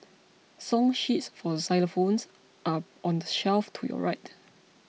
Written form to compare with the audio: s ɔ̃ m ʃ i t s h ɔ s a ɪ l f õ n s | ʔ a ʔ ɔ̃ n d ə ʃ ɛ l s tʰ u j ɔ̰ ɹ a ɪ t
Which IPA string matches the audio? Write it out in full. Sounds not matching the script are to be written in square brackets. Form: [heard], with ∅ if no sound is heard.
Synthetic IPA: s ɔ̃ [ŋ] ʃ i t s [f] ɔ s a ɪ l f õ n s | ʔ a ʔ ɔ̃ n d ə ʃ ɛ l [f] tʰ u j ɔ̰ ɹ a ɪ t

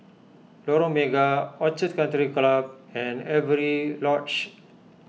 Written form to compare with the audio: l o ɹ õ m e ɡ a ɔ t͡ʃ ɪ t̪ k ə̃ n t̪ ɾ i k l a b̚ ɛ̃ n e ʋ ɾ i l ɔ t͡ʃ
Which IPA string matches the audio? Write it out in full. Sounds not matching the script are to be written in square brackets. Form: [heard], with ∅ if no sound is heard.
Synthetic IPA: l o [ɾ] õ m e ɡ a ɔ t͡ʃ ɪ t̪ k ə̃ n t̪ ɾ i k l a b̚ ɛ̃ n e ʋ ɾ i l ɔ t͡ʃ

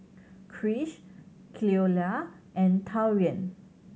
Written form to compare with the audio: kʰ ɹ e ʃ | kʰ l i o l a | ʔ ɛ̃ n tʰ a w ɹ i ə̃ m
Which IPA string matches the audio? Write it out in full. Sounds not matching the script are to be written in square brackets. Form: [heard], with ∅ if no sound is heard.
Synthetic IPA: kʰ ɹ [i] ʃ | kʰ l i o l a | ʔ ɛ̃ n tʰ a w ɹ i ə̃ [n]

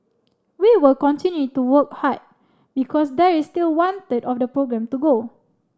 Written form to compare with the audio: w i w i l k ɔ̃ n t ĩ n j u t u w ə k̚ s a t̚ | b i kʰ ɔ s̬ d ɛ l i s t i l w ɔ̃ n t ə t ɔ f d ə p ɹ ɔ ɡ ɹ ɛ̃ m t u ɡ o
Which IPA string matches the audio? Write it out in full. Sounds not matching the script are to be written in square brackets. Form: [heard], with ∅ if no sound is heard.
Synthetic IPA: w i w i l k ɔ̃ n t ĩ n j u t u w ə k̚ [h] a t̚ | b i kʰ ɔ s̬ d ɛ [ɹ] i s t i l w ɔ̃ n t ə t ɔ f d ə p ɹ [o] ɡ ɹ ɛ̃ m t u ɡ o

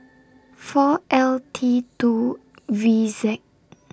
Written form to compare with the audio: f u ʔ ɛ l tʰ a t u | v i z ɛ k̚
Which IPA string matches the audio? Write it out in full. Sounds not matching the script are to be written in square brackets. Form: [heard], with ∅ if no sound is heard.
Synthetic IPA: f [ɔ] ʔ ɛ l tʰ [i] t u | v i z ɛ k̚

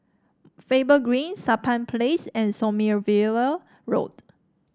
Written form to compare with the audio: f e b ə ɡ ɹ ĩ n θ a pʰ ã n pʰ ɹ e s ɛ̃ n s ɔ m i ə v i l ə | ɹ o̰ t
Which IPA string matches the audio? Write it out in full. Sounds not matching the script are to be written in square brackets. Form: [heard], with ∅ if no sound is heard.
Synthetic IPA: f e b ə ɡ ɹ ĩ n [s] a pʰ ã n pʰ [l] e s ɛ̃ n s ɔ m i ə v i l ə | ɹ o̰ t

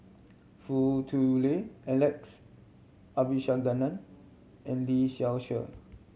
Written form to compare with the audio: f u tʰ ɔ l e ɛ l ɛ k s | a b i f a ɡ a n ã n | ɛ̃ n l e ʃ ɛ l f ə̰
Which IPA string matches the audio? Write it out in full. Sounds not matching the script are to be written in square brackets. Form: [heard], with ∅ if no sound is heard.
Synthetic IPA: f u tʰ [u] l e ɛ l ɛ k s | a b i [ʃ] a ɡ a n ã n | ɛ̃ n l [i] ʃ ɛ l [ʃ] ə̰

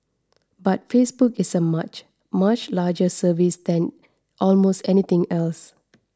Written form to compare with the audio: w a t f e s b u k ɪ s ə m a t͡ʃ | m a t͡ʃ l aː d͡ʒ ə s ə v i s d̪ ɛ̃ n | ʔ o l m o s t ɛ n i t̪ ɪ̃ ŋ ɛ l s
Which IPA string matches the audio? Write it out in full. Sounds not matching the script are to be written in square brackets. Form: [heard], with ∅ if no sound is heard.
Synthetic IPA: [b] a t f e s b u k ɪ s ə m a t͡ʃ | m a t͡ʃ l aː d͡ʒ ə s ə v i s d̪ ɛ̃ n | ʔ [ɔ] l m o s t ɛ n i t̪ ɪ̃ ŋ ɛ l s

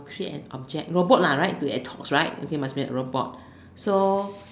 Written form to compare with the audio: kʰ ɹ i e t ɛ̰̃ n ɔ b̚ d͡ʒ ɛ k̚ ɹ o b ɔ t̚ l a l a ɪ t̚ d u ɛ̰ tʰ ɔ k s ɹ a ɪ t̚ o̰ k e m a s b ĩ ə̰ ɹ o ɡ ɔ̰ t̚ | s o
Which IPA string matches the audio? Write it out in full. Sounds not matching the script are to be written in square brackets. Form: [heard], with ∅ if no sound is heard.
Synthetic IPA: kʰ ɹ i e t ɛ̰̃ n ɔ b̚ d͡ʒ ɛ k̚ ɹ o b ɔ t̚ l a [ɹ] a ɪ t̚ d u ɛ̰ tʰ ɔ k s ɹ a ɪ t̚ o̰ k e m a s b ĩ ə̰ ɹ o [b] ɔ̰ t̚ | s o

